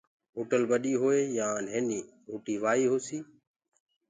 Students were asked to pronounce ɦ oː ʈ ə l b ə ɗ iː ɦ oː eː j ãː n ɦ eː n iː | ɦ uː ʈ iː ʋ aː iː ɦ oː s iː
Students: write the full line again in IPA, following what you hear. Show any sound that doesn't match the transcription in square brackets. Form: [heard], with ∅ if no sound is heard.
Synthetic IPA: ɦ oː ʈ ə l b ə ɗ iː ɦ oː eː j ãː n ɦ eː n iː | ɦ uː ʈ iː ʋ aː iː ɦ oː s iː